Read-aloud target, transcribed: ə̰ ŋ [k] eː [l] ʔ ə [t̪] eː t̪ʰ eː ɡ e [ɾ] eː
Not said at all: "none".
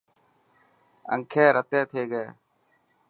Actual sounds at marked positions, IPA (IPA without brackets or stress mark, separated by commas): kʰ, ɾ, t̪, none